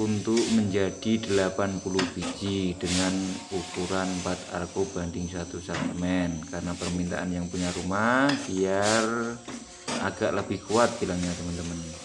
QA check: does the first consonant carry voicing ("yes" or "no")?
yes